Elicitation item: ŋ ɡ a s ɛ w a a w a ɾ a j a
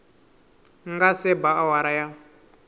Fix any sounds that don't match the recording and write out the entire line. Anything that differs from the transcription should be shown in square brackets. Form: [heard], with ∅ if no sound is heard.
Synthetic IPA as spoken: ŋ ɡ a s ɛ [b] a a w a ɾ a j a